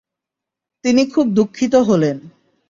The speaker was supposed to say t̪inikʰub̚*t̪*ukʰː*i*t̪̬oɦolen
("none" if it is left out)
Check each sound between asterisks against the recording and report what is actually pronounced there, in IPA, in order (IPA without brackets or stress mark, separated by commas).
d̪, i